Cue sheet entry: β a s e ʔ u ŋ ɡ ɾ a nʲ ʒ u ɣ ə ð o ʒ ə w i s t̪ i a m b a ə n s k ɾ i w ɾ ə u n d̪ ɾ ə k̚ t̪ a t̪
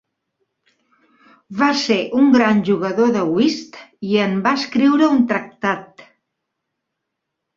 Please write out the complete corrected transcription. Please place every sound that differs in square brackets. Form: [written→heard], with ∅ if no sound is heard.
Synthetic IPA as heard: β a s e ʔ u ŋ ɡ ɾ a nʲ ʒ u ɣ ə ð o [ʒ→ð] ə w i s t̪ i [a→ə] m b a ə [n→∅] s k ɾ i w ɾ ə u n [d̪→t̪] ɾ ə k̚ t̪ a t̪